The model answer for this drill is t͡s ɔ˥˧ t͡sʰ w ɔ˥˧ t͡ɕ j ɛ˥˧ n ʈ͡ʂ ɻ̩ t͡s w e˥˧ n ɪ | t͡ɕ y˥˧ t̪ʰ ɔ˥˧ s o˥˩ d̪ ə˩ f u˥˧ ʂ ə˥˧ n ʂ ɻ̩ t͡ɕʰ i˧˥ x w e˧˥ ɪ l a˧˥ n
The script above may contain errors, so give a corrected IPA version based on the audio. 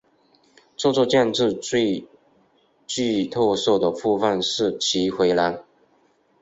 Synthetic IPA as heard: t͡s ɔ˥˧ t͡s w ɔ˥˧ t͡ɕ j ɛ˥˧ n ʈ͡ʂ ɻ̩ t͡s w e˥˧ ɪ | t͡ɕ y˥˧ t̪ʰ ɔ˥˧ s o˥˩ d̪ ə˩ f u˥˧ f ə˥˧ n ʂ ɻ̩ t͡ɕʰ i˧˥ x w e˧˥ ɪ l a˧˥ n